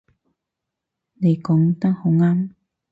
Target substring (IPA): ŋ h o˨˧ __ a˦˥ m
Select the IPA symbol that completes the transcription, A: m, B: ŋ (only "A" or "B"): B